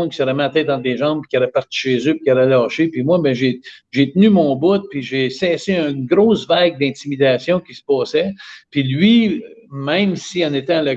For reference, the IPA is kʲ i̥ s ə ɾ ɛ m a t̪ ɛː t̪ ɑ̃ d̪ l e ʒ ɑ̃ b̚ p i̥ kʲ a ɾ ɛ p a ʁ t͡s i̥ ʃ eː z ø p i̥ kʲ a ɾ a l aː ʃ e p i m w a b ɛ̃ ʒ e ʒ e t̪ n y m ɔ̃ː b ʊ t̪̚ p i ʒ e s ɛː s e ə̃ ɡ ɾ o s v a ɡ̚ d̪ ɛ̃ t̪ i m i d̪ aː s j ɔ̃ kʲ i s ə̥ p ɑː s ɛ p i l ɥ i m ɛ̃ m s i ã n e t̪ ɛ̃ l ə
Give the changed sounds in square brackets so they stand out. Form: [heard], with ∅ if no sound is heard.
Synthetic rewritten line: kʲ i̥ s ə ɾ ɛ m a t̪ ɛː t̪ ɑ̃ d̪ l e ʒ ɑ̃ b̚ p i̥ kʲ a ɾ ɛ p a ʁ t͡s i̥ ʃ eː z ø p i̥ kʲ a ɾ [ɛ] l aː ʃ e p i m w a b ɛ̃ ʒ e ʒ e t̪ n y m ɔ̃ː b ʊ t̪̚ p i ʒ e s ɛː s e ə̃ ɡ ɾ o s v a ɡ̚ d̪ ɛ̃ t̪ i m i d̪ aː s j ɔ̃ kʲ i s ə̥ p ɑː s ɛ p i l ɥ i m ɛ̃ m s i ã n e t̪ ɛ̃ l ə